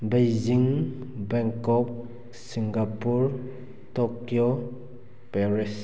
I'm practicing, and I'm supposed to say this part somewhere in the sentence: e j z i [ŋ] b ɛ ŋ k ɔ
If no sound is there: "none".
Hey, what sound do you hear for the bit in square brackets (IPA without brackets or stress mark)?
ŋ